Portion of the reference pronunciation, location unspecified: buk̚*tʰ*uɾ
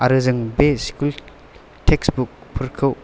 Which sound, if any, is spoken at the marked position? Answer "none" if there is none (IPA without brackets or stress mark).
pʰ